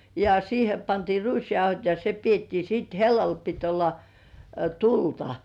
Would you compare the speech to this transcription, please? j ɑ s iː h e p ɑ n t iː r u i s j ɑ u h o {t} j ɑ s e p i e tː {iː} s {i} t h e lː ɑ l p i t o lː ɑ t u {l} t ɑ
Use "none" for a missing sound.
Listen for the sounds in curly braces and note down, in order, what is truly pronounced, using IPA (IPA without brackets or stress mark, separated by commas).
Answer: t, iː, iː, l